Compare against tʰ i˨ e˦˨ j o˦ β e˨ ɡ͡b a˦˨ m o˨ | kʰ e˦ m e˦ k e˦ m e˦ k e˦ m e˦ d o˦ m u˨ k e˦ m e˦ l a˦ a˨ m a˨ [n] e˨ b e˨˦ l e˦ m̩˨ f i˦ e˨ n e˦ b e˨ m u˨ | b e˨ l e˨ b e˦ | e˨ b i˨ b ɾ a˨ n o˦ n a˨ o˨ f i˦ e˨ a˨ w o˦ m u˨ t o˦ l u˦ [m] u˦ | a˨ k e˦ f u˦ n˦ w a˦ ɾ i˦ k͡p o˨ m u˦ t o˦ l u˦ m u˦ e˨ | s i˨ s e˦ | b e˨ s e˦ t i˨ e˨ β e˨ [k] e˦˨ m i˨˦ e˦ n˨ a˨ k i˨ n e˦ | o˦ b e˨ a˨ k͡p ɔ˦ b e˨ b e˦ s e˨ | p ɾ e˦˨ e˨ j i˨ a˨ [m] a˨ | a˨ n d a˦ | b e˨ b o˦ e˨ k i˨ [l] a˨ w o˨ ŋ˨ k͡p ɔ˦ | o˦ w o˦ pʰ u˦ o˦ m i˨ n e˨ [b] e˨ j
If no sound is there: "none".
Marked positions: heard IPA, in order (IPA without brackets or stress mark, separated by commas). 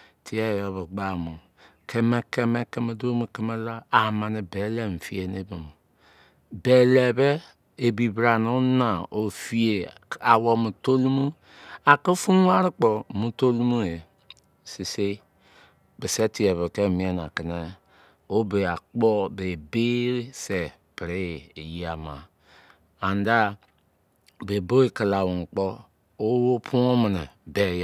n, m, k, m, l, b